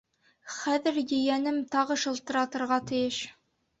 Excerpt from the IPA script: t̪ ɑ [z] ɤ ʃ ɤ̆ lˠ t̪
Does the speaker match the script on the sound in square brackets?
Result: no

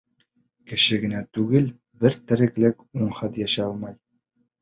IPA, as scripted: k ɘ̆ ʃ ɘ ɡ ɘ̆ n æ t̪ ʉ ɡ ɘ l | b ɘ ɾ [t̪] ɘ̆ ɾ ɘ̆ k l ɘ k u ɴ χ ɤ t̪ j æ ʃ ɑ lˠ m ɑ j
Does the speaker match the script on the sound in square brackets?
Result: yes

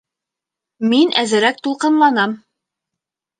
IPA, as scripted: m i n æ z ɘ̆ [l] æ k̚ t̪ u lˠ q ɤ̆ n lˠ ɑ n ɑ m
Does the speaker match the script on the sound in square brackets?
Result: no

